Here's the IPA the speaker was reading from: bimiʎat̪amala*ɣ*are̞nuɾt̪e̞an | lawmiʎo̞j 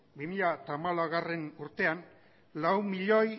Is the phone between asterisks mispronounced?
no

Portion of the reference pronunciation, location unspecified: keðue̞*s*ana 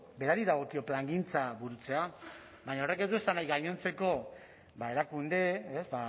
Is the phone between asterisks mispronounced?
no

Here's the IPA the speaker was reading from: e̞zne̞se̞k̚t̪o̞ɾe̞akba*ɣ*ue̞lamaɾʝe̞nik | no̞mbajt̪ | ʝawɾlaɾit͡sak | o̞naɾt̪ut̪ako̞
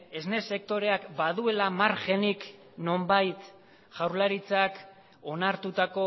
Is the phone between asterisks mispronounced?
yes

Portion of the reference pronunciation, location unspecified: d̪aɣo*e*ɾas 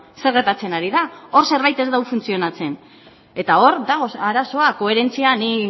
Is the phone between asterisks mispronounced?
yes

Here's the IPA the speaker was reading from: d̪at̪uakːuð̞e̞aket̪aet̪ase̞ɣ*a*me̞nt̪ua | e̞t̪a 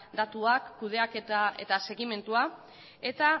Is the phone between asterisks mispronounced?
yes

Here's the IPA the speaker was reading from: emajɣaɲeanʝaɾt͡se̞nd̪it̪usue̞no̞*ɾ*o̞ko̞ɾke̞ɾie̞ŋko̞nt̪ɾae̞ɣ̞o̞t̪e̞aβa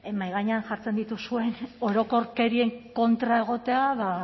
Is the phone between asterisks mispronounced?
no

